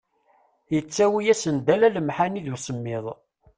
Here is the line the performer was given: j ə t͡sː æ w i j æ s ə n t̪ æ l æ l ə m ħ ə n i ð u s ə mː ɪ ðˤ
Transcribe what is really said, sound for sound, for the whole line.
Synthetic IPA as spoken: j ə t͡sː æ w i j æ s ə n d̪ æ l æ l ə m ħ a n i ð u s ə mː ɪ ðˤ